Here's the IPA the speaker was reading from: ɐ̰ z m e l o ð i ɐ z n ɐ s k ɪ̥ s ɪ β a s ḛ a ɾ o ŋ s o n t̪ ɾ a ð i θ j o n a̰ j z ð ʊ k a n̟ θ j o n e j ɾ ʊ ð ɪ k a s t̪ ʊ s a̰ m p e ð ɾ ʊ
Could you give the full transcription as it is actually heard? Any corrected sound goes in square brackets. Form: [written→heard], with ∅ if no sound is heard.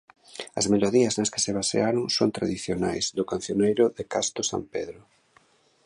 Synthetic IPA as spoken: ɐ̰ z m e l o ð i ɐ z n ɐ s k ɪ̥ s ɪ β a s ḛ a ɾ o ŋ s o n t̪ ɾ a ð i θ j o n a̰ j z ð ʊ k a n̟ θ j o n e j ɾ ʊ ð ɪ k a s t̪ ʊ s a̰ m p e ð ɾ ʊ